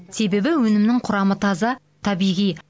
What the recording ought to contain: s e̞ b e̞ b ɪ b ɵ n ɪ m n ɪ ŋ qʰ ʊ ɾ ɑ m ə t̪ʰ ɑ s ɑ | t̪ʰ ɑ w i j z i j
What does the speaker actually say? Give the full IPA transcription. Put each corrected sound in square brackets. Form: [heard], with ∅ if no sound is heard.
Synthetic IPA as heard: s e̞ b e̞ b ɪ [w] ɵ n ɪ m n ɪ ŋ qʰ ʊ ɾ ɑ m ə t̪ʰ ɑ [z] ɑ | t̪ʰ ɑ [b] i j [ʁ] i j

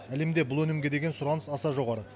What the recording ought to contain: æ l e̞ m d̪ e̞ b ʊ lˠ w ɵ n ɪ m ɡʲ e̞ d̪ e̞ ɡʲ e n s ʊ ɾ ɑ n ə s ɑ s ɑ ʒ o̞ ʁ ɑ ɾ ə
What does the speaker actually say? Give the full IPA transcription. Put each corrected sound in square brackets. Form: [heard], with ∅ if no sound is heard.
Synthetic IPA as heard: æ l e̞ m d̪ e̞ b ʊ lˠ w ɵ n ɪ m ɡʲ e̞ d̪ e̞ ɡʲ e n s ʊ ɾ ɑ n ə s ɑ s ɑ ʒ o̞ ʁ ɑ ɾ ə

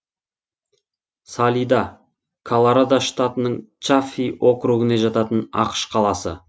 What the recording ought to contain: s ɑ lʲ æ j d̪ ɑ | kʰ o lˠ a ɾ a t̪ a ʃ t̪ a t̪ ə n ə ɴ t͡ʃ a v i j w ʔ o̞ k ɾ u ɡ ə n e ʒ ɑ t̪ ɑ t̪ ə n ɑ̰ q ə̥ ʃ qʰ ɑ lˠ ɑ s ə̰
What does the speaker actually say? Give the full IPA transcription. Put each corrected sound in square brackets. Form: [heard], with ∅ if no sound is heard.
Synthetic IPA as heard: s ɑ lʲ [i] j d̪ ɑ | kʰ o lˠ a ɾ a [d̪] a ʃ t̪ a t̪ ə n ə ɴ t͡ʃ a [f] i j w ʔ o̞ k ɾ u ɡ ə n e ʒ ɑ t̪ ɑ t̪ ə n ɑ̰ q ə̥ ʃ qʰ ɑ lˠ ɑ s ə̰

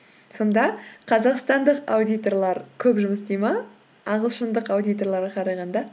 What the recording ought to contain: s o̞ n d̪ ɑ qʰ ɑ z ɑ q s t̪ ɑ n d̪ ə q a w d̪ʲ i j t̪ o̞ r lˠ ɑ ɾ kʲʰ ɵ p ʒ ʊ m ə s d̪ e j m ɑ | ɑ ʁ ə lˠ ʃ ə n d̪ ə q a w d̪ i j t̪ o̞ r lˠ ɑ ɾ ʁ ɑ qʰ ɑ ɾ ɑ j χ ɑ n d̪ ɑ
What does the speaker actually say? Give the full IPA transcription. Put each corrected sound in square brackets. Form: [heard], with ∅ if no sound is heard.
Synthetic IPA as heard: s o̞ n d̪ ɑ qʰ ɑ z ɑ q s t̪ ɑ n d̪ ə q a w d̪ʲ i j t̪ o̞ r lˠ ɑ ɾ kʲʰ ɵ p ʒ ʊ m ə s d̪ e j m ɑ | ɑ ʁ ə lˠ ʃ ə n d̪ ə q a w d̪ i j t̪ o̞ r lˠ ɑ ɾ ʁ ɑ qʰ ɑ ɾ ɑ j [ʁ] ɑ n d̪ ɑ

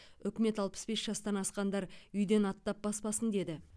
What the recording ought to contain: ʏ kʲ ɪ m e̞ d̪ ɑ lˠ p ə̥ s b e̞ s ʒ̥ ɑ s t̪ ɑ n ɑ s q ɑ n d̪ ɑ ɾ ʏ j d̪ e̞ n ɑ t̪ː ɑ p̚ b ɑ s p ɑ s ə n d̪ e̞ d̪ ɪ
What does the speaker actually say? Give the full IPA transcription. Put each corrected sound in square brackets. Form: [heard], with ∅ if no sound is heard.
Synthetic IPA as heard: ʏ kʲ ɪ m e̞ [t̪] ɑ lˠ p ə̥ s b e̞ s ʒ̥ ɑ s t̪ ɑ n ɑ s q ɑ n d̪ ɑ ɾ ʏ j d̪ e̞ n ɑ t̪ː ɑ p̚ b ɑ s p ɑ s ə n d̪ e̞ d̪ ɪ

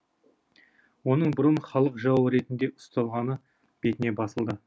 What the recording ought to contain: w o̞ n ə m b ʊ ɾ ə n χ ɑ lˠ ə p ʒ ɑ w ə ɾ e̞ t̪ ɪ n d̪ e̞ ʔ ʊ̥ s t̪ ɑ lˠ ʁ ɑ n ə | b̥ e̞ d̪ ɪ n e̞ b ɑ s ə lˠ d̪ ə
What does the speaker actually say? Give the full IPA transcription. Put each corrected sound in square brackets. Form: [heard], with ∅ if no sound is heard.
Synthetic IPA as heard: w o̞ n ə [ɴ] b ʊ ɾ ə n χ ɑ lˠ ə [q] ʒ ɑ w ə ɾ e̞ t̪ ɪ n d̪ e̞ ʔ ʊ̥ s t̪ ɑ lˠ ʁ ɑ n ə | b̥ e̞ [t̪] ɪ n e̞ b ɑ s ə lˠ d̪ ə

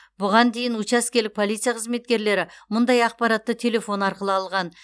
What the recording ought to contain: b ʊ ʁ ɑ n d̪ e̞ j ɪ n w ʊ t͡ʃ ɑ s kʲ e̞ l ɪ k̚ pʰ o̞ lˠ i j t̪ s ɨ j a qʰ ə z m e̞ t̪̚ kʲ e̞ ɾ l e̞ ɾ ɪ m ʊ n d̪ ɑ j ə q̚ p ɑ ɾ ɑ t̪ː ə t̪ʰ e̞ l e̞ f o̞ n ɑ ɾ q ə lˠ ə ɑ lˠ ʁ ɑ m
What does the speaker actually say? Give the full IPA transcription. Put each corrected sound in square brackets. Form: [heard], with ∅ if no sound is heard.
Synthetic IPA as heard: b ʊ ʁ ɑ n d̪ e̞ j ɪ n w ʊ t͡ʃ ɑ s kʲ e̞ l ɪ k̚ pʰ o̞ lˠ i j t̪ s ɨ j a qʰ ə z m e̞ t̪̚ kʲ e̞ ɾ l e̞ ɾ ɪ m ʊ n d̪ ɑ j [ɑ] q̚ p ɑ ɾ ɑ t̪ː ə t̪ʰ e̞ l e̞ f o̞ n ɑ ɾ q ə lˠ ə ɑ lˠ ʁ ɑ [n]

